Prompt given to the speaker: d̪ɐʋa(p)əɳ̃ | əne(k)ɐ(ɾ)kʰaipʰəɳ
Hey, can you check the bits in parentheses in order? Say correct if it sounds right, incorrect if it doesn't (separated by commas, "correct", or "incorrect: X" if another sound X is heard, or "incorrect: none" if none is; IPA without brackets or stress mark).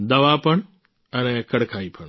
correct, correct, incorrect: ɽ